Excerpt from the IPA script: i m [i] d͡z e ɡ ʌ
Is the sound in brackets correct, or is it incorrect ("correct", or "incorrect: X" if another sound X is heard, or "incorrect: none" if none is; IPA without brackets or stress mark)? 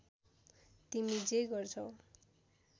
correct